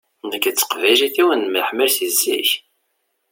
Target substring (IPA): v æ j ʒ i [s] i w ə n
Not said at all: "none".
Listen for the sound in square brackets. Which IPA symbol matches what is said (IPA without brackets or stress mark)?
θ